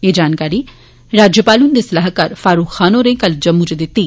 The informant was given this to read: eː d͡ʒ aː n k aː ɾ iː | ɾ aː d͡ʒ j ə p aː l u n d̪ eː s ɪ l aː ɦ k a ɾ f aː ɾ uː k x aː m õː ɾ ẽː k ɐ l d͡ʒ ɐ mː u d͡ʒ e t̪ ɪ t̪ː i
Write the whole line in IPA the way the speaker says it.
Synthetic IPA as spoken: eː d͡ʒ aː n k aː ɾ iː | ɾ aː d͡ʒ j ə p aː l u n d̪ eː s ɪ l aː ɦ k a ɾ f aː ɾ uː k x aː n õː ɾ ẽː k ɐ l d͡ʒ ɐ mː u d͡ʒ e d̪ ɪ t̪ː i